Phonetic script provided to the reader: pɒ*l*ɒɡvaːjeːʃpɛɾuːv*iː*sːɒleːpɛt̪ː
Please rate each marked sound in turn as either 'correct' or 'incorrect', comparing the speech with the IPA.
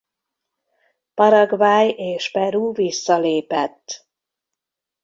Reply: incorrect: ɾ, incorrect: i

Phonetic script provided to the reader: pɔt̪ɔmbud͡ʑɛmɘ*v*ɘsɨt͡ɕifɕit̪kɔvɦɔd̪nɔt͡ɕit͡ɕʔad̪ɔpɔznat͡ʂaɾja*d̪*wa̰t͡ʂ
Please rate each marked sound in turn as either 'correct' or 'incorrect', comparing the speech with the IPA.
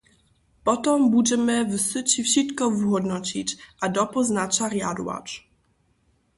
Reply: correct, correct

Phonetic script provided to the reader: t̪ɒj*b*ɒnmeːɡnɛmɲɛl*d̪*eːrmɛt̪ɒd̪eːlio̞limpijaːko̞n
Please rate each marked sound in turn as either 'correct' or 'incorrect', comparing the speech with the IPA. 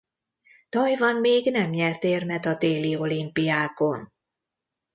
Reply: incorrect: v, incorrect: t̪

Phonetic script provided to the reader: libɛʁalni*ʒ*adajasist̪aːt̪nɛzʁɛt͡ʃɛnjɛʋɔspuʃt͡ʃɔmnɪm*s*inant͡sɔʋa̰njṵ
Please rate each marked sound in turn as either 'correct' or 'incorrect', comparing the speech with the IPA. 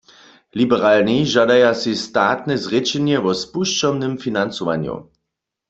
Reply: correct, incorrect: f

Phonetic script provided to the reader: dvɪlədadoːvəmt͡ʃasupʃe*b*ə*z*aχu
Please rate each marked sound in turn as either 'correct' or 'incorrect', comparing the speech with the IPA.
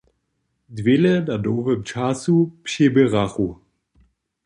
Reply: correct, incorrect: ʁ

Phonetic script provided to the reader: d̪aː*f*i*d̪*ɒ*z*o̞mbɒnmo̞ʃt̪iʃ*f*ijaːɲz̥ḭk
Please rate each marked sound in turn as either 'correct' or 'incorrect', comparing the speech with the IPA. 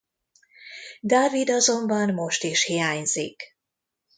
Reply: incorrect: v, correct, correct, incorrect: h

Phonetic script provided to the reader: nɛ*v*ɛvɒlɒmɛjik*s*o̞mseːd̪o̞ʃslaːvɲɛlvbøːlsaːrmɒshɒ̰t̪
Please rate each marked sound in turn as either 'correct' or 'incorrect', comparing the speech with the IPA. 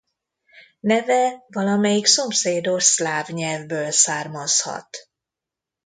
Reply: correct, correct

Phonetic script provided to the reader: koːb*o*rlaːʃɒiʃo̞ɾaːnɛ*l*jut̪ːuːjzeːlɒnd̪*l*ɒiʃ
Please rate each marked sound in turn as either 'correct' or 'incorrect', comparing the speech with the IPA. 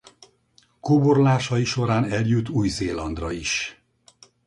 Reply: correct, correct, incorrect: r

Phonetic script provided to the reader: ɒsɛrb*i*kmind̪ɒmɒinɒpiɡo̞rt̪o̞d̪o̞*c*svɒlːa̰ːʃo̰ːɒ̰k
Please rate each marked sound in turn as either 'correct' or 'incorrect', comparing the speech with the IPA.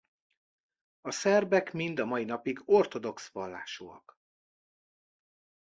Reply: incorrect: ɛ, incorrect: k

